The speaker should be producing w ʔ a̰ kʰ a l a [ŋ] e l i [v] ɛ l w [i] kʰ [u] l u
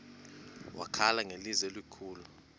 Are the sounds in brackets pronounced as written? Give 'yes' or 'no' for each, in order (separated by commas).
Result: yes, no, yes, no